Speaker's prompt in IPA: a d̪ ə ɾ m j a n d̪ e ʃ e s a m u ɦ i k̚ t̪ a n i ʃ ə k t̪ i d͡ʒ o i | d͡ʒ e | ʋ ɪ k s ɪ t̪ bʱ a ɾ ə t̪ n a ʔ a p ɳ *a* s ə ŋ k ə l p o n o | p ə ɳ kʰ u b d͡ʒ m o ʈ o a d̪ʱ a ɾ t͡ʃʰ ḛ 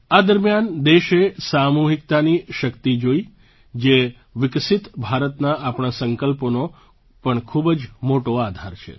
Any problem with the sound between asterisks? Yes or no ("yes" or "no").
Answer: no